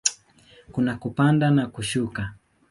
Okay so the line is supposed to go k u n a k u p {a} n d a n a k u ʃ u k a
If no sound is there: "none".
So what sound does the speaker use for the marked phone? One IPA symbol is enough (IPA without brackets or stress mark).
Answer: a